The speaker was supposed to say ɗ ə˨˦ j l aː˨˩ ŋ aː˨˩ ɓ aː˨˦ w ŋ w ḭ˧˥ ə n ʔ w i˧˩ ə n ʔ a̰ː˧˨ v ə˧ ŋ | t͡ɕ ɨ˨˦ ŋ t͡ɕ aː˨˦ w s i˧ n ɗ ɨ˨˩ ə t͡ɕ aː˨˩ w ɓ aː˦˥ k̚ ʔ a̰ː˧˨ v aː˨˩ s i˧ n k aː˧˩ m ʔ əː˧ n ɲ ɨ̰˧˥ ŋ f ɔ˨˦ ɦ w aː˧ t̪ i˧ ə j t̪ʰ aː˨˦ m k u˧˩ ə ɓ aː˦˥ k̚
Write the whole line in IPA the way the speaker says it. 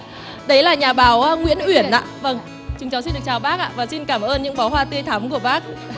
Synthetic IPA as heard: ɗ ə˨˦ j l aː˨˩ ɲ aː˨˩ ɓ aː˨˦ w ŋ w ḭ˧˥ ə n ʔ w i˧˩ ə n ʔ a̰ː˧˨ v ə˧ ŋ | t͡ɕ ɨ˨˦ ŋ t͡ɕ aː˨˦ w s i˧ n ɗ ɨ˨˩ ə t͡ɕ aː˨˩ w ɓ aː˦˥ k̚ ʔ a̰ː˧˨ v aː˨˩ s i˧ n k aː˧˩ m ʔ əː˧ n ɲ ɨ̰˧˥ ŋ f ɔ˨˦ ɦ w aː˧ t̪ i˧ ə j t̪ʰ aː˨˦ m k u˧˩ ə ɓ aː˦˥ k̚